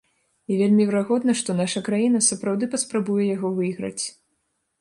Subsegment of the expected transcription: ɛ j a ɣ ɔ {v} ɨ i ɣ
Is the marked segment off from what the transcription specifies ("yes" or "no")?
no